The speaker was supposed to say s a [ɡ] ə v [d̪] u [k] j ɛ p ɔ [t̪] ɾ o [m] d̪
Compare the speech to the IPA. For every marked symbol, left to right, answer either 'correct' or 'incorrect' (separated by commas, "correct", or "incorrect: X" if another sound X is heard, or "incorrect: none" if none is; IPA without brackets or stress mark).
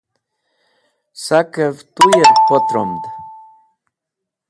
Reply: incorrect: k, incorrect: t̪, incorrect: none, correct, correct